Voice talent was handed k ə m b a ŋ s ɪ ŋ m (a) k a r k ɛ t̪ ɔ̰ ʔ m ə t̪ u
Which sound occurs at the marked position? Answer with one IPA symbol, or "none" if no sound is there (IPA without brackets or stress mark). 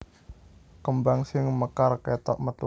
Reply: ə